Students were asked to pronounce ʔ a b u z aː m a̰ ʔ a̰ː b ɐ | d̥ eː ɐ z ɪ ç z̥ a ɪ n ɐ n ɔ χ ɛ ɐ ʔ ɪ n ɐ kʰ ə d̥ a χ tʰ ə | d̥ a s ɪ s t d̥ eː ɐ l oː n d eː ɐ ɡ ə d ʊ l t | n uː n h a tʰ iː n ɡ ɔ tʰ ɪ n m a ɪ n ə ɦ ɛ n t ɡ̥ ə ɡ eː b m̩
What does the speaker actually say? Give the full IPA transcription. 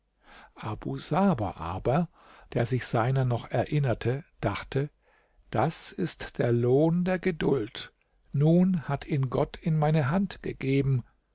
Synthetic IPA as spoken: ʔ a b u z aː b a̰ ʔ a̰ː b ɐ | d̥ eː ɐ z ɪ ç z̥ a ɪ n ɐ n ɔ χ ɛ ɐ ʔ ɪ n ɐ tʰ ə d̥ a χ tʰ ə | d̥ a s ɪ s t d̥ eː ɐ l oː n d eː ɐ ɡ ə d ʊ l t | n uː n h a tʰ iː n ɡ ɔ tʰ ɪ n m a ɪ n ə ɦ a n t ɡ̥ ə ɡ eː b m̩